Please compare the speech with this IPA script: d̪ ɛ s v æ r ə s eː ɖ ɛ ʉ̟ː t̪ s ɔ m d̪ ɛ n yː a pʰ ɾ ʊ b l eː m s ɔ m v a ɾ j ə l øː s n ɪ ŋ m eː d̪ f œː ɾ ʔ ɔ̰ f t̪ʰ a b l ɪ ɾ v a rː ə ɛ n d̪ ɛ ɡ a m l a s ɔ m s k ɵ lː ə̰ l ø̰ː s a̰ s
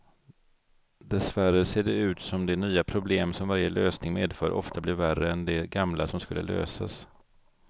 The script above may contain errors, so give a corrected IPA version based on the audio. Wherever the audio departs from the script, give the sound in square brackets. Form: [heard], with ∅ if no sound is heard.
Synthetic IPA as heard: d̪ ɛ s v æ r ə s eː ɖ ɛ ʉ̟ː t̪ s ɔ m d̪ ɛ n yː a pʰ ɾ ʊ b l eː m s ɔ m v a ɾ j ə l øː s n ɪ ŋ m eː d̪ f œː ɾ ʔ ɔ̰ f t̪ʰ a b l ɪ ɾ v [æ] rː ə ɛ n d̪ ɛ ɡ a m l a s ɔ m s k ɵ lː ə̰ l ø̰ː s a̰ s